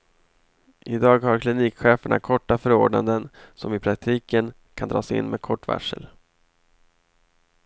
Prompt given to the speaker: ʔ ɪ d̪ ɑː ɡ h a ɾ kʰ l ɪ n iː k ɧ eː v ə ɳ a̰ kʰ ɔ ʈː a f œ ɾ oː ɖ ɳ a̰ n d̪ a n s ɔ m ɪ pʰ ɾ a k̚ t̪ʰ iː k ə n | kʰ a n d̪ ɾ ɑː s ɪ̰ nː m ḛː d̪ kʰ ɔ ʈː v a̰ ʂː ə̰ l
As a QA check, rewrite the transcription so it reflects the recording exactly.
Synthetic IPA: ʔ ɪ d̪ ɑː ɡ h a ɾ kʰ l ɪ n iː k ɧ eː f ə ɳ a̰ kʰ ɔ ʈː a f œ ɾ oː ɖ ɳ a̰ n d̪ ə n s ɔ m ɪ pʰ ɾ a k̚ t̪ʰ iː k ə n | kʰ a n d̪ ɾ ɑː s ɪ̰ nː m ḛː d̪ kʰ ɔ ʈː v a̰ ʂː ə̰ l